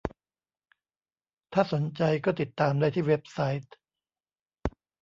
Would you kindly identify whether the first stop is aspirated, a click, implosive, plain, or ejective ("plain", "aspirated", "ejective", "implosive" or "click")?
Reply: aspirated